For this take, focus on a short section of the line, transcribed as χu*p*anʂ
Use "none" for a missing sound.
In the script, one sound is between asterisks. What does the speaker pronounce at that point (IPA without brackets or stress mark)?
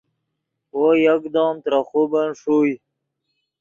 b